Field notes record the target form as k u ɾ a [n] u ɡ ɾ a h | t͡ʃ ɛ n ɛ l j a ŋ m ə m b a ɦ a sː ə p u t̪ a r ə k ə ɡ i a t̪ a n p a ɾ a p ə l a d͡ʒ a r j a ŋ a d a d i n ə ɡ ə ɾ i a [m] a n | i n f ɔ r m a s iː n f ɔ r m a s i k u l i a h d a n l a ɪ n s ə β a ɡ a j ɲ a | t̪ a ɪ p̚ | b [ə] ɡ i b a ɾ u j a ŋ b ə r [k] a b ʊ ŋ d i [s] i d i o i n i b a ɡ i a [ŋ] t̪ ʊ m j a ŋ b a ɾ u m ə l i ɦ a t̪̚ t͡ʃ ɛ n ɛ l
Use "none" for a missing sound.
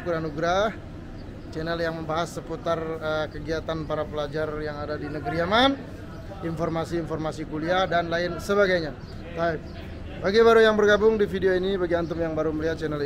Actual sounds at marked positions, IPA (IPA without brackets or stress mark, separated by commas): n, m, a, ɡ, f, n